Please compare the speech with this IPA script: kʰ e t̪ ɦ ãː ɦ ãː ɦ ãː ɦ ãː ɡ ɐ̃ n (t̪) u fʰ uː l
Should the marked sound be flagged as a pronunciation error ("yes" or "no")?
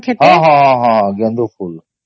yes